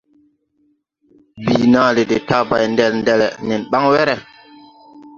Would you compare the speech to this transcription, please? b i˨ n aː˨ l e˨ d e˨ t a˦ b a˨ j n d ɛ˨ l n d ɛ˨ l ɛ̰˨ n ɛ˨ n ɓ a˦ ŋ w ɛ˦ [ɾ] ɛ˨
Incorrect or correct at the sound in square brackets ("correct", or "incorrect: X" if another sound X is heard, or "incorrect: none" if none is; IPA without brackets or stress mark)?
correct